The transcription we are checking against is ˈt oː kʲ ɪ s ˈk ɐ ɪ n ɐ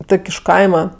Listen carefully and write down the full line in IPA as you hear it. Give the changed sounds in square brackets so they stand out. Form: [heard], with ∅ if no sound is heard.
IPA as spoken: ˈt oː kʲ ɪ [ʃ] ˈk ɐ ɪ [m] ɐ